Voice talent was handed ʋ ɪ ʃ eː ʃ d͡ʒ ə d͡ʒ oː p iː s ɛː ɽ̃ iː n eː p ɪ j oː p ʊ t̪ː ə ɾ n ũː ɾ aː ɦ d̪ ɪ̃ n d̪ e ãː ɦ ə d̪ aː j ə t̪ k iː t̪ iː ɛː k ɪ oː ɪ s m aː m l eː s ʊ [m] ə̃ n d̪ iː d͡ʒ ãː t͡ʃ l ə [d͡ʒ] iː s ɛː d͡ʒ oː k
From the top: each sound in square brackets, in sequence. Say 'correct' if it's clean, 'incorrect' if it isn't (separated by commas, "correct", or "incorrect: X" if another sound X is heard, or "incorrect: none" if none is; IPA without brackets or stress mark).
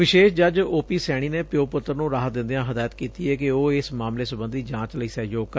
incorrect: b, incorrect: none